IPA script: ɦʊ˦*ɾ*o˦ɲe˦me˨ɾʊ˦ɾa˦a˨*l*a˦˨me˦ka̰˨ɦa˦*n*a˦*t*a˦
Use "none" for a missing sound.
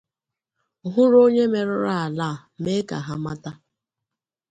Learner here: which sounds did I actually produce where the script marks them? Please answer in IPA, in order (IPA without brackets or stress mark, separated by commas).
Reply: ɾ, l, m, t